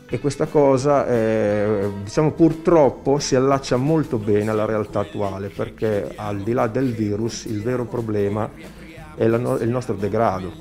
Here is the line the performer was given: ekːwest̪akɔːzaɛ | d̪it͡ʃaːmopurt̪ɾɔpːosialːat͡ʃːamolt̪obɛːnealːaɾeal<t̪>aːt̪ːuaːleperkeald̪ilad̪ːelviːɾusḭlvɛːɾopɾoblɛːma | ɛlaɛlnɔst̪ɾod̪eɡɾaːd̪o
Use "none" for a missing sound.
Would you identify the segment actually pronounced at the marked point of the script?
t̪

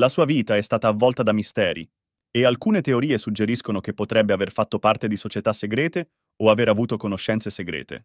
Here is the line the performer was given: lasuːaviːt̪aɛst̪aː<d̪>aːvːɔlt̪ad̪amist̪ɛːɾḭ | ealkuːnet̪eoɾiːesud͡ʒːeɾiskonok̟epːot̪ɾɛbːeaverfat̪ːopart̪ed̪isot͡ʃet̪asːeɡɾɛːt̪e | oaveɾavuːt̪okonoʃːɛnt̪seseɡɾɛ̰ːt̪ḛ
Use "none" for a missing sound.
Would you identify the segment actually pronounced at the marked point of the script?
t̪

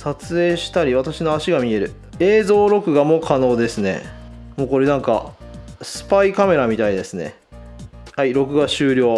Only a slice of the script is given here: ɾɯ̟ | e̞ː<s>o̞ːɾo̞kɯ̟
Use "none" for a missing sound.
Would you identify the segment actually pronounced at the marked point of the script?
z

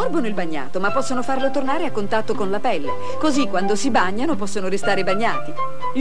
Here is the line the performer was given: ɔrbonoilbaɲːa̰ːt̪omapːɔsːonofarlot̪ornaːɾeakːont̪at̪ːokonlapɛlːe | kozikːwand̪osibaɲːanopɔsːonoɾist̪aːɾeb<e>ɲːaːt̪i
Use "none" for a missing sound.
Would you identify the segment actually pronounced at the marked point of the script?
a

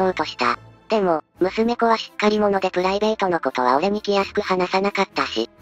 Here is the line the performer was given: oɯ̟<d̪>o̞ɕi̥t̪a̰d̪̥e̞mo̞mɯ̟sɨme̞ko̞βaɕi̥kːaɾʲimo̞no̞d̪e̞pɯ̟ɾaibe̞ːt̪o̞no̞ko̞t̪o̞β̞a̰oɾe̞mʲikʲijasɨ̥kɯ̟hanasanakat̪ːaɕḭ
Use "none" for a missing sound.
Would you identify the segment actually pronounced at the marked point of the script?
t̪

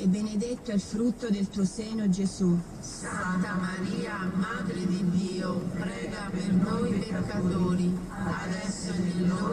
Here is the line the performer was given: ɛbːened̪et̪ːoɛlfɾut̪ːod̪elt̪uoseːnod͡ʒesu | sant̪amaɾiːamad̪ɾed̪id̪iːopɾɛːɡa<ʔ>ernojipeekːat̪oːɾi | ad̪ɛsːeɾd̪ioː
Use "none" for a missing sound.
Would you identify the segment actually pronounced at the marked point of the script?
p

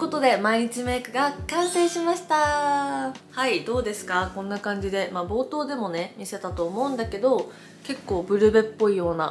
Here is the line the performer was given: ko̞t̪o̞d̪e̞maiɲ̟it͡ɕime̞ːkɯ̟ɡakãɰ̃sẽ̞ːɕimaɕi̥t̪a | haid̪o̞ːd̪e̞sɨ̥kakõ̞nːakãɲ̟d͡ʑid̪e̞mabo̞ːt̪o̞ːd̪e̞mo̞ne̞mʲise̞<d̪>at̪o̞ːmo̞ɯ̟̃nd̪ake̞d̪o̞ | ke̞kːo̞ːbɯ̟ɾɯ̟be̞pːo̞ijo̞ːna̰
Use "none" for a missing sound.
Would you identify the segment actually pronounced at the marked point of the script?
t̪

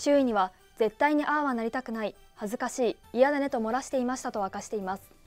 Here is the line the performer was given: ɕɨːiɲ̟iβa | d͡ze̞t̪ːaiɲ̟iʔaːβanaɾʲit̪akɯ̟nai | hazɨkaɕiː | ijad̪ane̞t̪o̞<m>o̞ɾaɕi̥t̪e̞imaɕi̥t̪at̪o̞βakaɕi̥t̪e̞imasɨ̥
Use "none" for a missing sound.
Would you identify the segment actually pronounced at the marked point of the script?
m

